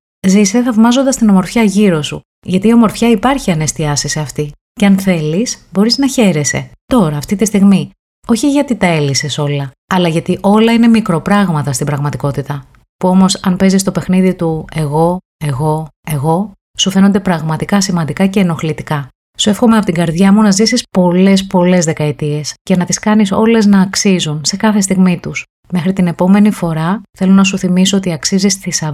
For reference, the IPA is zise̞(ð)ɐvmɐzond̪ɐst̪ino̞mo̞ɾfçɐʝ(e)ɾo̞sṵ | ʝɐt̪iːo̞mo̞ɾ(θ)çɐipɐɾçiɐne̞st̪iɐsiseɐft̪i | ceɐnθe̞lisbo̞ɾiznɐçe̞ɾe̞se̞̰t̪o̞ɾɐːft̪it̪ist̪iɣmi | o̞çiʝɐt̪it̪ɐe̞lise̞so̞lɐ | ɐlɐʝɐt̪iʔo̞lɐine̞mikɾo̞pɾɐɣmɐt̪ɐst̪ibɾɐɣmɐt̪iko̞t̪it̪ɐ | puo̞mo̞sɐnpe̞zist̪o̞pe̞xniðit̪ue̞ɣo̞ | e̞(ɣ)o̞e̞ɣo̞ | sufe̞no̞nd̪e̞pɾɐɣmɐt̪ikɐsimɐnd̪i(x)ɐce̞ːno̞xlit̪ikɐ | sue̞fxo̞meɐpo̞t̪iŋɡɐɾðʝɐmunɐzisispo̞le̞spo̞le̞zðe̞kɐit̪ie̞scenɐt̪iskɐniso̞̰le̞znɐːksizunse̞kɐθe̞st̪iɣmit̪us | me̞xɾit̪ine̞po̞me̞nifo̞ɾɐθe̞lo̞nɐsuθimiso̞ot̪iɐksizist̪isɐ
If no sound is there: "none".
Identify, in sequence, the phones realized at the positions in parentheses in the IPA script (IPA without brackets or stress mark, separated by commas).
θ, i, f, ɣ, k